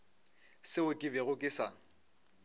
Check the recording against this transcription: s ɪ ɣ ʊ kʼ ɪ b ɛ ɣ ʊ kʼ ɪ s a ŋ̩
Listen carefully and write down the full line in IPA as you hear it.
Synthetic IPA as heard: s ɪ ʊ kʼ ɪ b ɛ ɣ ʊ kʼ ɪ s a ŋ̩